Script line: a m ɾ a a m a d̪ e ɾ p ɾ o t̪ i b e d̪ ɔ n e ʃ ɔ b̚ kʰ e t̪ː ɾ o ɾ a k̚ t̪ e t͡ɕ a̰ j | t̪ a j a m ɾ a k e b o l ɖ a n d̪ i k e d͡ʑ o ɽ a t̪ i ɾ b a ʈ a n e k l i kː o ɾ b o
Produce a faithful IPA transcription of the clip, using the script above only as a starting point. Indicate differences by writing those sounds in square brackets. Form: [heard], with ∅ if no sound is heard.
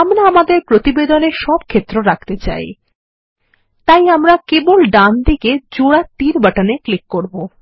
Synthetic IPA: a m ɾ a a m a d̪ e ɾ p ɾ o t̪ i b e d̪ [o] n e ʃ ɔ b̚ kʰ e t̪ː ɾ o ɾ a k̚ t̪ e t͡ɕ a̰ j | t̪ a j a m ɾ a k e b o l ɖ a n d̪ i k e d͡ʑ o ɽ a t̪ i ɾ b a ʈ a n e k l i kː o ɾ b o